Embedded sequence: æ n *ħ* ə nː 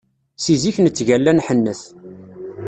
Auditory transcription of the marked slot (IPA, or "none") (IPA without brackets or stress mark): ħ